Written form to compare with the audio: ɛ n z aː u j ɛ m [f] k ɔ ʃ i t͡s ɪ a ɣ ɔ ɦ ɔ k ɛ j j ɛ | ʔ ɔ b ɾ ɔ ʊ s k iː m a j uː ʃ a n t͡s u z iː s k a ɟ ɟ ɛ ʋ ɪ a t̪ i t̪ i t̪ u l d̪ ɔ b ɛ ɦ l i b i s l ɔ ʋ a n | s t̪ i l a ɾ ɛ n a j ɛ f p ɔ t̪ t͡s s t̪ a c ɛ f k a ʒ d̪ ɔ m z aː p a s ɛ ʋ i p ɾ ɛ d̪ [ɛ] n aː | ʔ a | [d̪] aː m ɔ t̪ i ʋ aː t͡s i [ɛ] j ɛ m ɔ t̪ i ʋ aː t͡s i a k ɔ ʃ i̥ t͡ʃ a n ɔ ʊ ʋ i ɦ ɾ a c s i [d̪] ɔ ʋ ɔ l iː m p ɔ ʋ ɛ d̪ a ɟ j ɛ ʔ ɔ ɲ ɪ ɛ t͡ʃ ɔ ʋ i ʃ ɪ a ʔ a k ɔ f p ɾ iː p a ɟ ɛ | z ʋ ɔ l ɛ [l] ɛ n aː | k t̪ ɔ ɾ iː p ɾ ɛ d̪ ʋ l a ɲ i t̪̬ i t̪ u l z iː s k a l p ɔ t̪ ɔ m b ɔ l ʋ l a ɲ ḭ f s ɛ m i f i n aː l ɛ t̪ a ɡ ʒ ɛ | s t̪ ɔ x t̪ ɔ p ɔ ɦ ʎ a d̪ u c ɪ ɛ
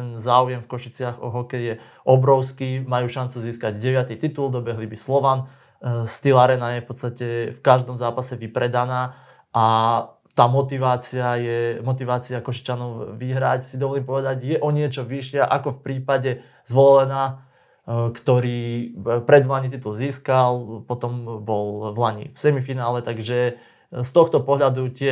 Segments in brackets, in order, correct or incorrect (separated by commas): correct, incorrect, incorrect, incorrect, correct, correct